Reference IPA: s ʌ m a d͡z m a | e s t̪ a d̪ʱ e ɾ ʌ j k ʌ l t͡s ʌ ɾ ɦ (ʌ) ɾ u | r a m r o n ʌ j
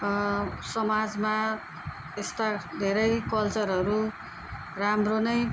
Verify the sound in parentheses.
correct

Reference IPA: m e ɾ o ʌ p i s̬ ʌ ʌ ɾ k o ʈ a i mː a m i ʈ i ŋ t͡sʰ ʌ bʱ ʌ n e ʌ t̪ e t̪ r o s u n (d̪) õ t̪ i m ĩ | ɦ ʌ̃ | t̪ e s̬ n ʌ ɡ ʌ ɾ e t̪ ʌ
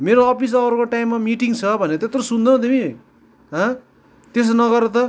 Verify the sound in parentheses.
correct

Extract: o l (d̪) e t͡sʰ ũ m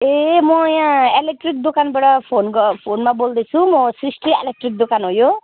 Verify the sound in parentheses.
correct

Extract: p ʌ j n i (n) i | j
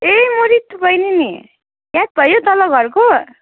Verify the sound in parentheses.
correct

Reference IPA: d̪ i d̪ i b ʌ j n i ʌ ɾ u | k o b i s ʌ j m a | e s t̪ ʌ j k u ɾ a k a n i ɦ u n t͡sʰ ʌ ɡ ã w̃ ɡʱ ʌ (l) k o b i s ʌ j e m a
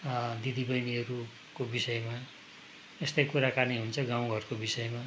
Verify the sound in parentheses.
incorrect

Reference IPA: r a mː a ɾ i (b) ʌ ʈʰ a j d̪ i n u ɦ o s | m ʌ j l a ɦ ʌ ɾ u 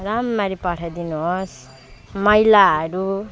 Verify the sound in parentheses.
incorrect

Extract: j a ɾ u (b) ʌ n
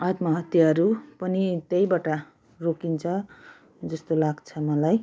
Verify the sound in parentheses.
incorrect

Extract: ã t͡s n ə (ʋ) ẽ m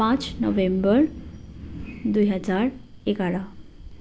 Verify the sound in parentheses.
correct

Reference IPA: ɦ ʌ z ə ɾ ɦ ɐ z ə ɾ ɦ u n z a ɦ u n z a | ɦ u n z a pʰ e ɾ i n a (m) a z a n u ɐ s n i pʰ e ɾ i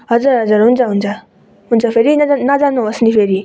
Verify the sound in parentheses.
incorrect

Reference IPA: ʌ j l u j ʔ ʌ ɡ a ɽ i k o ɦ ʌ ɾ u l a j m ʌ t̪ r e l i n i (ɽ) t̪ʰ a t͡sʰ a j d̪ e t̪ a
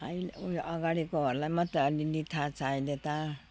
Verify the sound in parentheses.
incorrect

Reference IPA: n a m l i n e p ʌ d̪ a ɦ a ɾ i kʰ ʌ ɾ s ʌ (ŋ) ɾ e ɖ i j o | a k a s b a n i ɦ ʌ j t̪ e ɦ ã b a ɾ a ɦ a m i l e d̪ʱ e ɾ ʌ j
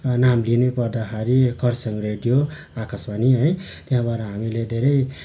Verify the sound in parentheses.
correct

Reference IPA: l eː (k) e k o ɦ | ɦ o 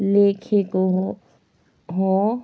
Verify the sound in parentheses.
incorrect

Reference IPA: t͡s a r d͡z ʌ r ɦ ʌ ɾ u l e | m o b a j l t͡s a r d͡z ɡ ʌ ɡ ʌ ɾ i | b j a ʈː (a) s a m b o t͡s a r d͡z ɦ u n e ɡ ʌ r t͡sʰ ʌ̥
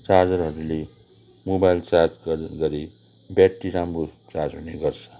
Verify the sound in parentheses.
incorrect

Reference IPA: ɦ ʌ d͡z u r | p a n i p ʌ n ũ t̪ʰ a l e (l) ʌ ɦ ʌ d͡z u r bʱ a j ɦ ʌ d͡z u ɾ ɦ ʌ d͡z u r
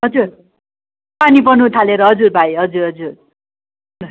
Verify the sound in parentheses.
incorrect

